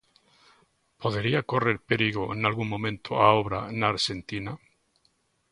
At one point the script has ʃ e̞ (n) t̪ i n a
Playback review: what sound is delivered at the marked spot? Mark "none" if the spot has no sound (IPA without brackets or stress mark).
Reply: n